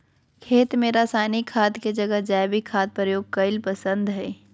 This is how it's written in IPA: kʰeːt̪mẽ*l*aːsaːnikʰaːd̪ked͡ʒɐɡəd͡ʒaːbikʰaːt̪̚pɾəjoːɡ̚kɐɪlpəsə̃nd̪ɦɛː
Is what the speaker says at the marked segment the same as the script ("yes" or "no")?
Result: no